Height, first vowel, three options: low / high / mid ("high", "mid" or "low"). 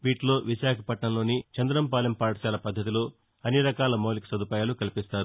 high